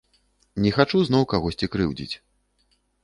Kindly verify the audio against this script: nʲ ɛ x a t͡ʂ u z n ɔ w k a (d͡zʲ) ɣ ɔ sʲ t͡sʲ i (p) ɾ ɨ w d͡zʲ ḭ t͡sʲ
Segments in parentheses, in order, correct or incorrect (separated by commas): incorrect, incorrect